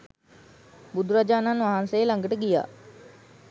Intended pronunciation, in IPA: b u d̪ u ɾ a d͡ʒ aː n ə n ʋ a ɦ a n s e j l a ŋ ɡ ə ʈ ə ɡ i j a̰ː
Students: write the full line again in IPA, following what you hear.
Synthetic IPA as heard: b u d̪ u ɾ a d͡ʒ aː n a n ʋ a ɦ a n s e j l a ŋ ɡ ə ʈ ə ɡ i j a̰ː